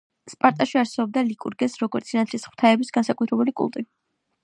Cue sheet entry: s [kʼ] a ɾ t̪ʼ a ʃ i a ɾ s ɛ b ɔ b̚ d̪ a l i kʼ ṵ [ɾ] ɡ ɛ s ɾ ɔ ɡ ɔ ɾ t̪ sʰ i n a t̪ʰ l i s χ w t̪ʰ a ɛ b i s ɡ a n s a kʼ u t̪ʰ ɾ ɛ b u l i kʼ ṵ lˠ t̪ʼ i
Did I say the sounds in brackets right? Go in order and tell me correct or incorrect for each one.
incorrect, correct

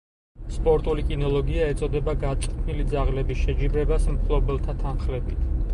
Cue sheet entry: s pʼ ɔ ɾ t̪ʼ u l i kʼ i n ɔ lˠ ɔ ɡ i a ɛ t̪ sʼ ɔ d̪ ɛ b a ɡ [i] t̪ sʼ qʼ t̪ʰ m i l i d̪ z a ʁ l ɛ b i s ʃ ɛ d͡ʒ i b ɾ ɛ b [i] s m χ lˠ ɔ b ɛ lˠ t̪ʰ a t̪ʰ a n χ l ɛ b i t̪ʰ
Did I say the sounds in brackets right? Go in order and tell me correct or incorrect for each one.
incorrect, incorrect

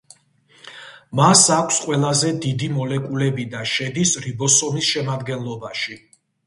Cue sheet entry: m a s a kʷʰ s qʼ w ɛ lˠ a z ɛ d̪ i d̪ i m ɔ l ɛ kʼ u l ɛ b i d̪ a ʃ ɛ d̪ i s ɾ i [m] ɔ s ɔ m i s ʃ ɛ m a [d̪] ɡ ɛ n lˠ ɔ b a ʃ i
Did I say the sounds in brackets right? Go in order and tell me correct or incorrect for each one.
incorrect, correct

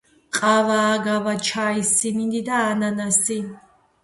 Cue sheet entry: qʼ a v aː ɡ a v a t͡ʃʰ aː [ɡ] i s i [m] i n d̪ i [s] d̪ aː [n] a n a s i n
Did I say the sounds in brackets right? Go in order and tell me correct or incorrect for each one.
incorrect, incorrect, incorrect, correct

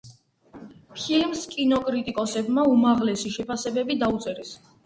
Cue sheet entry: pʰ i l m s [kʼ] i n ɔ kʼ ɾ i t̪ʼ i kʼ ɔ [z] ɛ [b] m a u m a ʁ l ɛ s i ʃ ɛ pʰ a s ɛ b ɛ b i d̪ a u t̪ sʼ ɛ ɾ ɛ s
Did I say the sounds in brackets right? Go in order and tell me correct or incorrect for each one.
correct, incorrect, correct

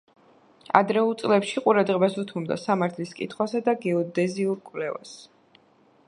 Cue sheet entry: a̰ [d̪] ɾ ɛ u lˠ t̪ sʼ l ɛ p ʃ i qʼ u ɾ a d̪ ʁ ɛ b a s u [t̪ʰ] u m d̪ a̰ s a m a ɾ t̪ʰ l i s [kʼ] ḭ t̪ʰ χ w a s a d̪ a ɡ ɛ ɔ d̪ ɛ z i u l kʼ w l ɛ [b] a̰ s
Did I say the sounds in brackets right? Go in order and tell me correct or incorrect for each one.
correct, correct, correct, incorrect

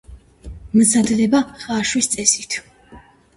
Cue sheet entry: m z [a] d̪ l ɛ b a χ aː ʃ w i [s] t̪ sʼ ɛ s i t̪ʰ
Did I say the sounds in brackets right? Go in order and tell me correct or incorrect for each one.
correct, correct

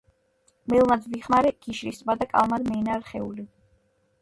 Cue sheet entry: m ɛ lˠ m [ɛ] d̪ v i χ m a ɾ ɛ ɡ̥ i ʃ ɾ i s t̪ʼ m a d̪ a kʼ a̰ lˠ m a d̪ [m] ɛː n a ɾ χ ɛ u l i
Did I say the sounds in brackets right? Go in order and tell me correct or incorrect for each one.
incorrect, correct

